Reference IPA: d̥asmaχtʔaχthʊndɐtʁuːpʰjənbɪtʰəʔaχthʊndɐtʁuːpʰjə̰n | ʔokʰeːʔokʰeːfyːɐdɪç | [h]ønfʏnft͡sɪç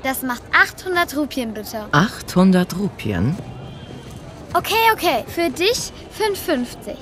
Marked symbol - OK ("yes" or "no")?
no